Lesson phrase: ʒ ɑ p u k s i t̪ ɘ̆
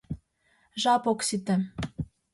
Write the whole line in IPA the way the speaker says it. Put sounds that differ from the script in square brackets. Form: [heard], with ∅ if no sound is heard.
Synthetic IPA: ʒ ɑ p [o] k s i t̪ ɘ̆